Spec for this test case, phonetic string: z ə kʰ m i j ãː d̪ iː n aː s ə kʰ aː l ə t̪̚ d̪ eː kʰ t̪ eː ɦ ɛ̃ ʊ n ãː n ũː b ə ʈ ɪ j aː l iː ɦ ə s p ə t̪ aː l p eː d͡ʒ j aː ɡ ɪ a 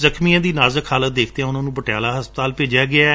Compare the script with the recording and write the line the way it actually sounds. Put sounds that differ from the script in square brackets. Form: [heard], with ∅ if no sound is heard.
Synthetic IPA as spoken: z ə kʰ m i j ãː d̪ iː n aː [z] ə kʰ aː l ə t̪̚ d̪ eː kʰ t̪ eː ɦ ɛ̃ ʊ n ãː n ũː b ə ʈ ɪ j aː l [aː] ɦ ə s p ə t̪ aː l p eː d͡ʒ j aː ɡ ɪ a